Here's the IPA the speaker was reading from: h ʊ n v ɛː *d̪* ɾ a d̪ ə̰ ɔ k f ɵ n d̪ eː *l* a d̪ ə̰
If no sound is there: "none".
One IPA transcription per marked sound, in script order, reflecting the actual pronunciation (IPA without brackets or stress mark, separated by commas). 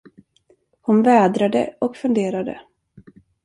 d̪, ɾ